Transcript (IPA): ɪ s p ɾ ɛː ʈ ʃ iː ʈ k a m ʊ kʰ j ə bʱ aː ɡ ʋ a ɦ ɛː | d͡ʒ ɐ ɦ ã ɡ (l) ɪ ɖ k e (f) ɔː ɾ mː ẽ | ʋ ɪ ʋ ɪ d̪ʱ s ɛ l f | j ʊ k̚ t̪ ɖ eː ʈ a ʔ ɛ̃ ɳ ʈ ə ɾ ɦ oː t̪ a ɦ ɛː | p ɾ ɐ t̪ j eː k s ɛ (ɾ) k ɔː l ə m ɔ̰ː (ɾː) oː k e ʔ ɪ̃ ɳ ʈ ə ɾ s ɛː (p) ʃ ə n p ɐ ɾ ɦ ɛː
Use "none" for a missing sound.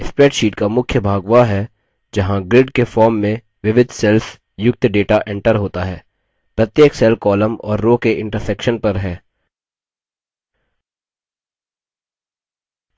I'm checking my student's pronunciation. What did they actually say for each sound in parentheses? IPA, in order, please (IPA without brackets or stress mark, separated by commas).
ɾ, f, l, ɾː, k